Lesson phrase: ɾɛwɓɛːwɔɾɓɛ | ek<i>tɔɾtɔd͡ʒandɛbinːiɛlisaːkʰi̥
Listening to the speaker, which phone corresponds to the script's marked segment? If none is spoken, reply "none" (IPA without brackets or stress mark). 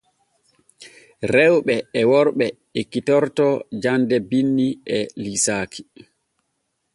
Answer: i